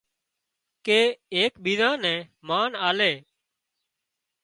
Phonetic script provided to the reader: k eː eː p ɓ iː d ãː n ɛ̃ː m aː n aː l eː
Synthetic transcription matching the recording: k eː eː k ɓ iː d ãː n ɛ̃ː m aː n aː l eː

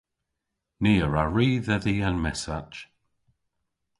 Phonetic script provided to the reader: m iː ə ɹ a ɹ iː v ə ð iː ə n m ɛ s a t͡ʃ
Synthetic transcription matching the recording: n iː ə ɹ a ɹ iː ð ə ð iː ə n m ɛ s a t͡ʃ

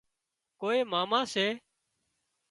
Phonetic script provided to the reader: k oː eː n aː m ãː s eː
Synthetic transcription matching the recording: k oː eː m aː m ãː s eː

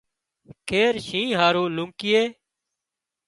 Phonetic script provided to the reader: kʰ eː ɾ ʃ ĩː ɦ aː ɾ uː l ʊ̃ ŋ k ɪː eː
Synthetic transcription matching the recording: kʰ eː ɾ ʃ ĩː ɦ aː ɾ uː l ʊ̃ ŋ k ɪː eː

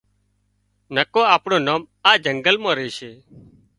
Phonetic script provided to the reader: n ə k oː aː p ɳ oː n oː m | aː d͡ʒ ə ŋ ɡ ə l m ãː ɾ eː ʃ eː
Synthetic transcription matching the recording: n ə k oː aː p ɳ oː n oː m | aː d͡ʒ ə ŋ ɡ ə l m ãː ɾ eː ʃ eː

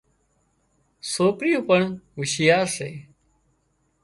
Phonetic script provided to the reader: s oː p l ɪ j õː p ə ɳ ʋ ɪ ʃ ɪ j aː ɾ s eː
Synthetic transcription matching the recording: s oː p ɾ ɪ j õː p ə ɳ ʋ ɪ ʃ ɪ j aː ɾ s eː

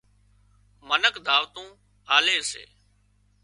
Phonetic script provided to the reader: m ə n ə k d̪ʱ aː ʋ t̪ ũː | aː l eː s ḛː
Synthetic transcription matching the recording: m ə n ə k d̪ʱ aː ʋ t̪ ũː | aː l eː s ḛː

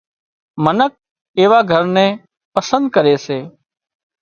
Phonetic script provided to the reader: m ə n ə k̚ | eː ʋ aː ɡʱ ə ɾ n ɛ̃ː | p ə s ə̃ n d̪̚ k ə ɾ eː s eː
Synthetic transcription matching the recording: m ə n ə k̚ | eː ʋ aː ɡʱ ə ɾ n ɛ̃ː | p ə s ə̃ n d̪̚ k ə ɾ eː s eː

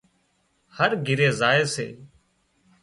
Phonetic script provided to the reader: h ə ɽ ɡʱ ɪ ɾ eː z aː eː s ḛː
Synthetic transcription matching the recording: h ə ɾ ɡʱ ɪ ɾ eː z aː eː s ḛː

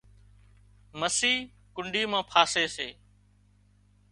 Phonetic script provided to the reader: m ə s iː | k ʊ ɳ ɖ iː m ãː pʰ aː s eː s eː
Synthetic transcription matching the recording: m ə s iː | k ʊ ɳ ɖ iː m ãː pʰ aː s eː s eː

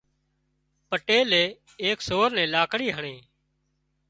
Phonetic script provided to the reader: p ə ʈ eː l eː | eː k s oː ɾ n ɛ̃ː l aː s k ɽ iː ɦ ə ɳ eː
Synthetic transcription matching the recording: p ə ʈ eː l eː | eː k s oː ɾ n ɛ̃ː l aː k ɽ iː ɦ ə ɳ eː

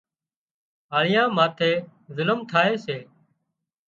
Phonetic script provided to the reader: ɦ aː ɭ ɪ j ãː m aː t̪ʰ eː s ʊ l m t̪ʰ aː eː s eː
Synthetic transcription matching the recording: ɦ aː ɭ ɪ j ãː m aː t̪ʰ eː z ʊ l m t̪ʰ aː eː s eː

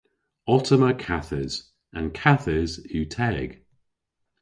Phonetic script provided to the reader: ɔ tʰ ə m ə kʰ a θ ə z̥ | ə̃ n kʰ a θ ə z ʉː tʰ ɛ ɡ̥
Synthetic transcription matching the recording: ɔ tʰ ə m ə kʰ a θ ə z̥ | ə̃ n kʰ a θ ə z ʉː tʰ ɛ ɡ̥

